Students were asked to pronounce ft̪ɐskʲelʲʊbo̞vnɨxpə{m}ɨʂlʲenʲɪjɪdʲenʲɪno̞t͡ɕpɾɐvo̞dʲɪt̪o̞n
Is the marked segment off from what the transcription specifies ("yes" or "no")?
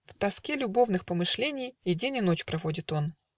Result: no